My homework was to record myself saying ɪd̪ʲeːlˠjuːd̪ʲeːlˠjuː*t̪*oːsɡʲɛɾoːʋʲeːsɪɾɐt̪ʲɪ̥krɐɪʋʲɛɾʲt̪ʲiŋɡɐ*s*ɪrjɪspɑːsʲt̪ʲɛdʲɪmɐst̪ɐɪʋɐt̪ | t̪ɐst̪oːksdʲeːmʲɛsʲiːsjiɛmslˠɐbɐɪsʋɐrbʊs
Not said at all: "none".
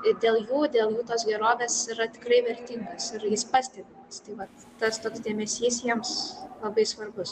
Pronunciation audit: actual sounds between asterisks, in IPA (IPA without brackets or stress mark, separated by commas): t̪, s